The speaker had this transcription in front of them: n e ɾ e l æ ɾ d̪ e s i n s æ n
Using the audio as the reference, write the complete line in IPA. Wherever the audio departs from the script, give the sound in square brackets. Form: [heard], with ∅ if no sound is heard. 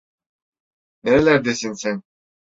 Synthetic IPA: n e ɾ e l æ ɾ d̪ e s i n s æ n